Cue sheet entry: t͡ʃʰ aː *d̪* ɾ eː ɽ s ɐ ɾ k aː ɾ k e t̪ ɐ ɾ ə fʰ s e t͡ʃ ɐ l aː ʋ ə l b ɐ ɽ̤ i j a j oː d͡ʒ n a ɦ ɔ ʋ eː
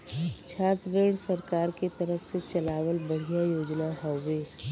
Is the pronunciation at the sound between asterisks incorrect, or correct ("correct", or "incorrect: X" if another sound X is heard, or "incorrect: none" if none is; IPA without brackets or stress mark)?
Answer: incorrect: t̪